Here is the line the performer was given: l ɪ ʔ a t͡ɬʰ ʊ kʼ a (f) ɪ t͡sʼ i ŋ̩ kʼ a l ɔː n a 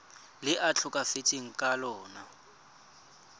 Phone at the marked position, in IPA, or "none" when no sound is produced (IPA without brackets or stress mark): f